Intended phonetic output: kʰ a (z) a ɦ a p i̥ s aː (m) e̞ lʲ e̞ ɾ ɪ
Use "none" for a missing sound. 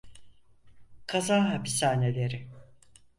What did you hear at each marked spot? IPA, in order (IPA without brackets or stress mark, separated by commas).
z, n